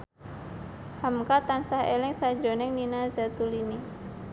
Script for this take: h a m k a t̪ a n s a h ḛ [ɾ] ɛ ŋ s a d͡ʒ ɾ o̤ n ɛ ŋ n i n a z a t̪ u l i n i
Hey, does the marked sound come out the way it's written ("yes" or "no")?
no